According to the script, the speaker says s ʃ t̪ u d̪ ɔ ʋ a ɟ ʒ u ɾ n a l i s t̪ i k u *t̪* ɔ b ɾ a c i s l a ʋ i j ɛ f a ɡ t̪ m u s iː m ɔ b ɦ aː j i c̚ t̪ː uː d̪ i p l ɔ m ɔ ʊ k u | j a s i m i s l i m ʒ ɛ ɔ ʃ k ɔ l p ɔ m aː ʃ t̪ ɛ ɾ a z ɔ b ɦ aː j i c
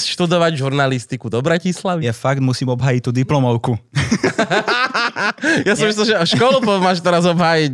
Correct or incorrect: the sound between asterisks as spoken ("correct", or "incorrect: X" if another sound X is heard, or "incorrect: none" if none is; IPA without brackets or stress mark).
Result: incorrect: d̪